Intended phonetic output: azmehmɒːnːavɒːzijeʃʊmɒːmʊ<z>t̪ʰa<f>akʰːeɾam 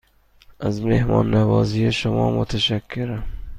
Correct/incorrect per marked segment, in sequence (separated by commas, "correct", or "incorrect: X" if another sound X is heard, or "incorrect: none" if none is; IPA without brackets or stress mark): incorrect: none, incorrect: ʃ